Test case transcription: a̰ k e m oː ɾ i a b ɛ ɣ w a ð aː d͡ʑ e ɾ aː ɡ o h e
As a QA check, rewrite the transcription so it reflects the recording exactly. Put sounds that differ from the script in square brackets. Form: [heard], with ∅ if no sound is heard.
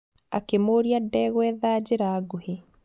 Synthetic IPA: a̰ k e m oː ɾ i a [d] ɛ ɣ w [ɛ] ð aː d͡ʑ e ɾ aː ɡ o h e